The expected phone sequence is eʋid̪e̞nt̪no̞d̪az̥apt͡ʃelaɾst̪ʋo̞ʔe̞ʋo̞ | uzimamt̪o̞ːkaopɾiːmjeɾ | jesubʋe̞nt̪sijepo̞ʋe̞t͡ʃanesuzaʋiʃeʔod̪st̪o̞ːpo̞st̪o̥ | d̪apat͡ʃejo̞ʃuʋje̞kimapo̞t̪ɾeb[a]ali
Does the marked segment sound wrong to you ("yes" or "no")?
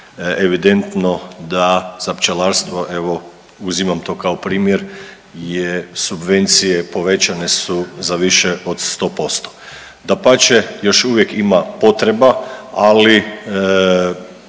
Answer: no